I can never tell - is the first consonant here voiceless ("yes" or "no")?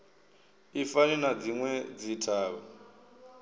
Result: yes